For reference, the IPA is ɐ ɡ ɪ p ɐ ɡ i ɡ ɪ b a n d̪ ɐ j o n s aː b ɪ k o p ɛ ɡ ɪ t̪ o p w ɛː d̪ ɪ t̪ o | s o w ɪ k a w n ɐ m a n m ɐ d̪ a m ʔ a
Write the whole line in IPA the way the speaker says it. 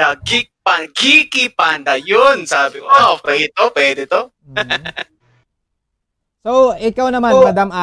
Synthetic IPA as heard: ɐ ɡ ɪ p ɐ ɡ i k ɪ p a n d̪ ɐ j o n s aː b ɪ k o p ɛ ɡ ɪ t̪ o p w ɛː d̪ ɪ t̪ o | s o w ɪ k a w n ɐ m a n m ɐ d̪ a m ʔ a